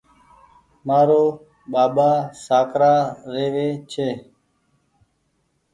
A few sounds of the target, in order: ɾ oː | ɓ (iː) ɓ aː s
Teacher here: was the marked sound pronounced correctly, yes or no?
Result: no